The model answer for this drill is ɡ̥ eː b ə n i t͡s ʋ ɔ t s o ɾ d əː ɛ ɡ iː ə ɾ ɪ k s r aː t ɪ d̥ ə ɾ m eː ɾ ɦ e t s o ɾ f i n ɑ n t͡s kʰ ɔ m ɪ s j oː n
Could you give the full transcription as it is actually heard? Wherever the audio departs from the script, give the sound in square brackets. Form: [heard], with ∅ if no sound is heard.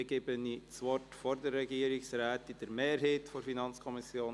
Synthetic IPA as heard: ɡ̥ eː b ə n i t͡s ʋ ɔ t [f] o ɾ d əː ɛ ɡ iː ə ɾ ɪ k s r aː t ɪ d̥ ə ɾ m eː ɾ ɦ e t [f] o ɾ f i n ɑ n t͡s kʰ ɔ m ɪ s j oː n